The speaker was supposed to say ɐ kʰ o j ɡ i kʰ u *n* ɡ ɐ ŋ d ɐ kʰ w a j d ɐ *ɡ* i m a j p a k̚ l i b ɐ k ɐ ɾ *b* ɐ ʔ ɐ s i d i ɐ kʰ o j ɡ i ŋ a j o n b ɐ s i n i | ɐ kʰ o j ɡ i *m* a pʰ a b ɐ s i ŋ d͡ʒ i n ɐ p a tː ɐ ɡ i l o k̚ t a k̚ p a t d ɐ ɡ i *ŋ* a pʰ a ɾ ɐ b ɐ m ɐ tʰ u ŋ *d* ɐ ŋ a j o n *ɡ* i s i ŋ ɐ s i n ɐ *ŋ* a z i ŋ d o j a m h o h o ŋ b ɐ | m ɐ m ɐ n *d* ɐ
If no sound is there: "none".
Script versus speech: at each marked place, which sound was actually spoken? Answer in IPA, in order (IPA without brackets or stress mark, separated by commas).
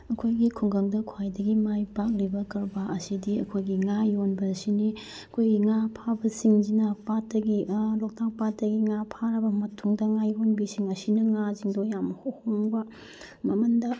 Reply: ŋ, ɡ, b, ŋ, ŋ, d, b, ŋ, d